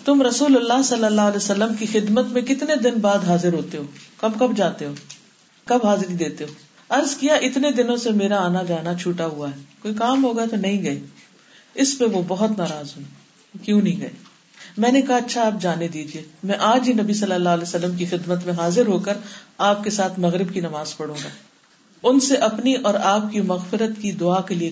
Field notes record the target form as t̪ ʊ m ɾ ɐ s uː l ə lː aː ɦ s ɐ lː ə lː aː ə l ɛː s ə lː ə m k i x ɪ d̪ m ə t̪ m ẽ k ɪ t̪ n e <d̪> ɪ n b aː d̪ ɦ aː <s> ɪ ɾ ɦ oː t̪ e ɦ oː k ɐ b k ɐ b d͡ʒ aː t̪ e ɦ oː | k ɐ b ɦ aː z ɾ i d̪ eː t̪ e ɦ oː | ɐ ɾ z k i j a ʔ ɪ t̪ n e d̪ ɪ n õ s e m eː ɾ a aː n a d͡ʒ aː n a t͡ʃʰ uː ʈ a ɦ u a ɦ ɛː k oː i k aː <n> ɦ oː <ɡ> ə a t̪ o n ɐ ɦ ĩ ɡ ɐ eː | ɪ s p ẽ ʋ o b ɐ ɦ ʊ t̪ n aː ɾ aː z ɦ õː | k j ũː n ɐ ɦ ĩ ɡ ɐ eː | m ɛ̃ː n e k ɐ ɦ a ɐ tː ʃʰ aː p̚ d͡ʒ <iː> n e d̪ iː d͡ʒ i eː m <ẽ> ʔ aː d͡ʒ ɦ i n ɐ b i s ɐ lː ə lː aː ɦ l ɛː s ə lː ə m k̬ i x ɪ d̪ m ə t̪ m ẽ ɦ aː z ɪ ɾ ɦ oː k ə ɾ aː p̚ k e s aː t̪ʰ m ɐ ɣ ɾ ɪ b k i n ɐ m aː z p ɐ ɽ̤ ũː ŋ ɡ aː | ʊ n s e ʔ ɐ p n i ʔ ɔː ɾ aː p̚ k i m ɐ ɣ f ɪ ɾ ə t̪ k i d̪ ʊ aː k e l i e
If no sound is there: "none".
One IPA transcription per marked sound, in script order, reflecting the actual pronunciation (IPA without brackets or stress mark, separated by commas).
d̪, z, m, ɡ, aː, ɛ̃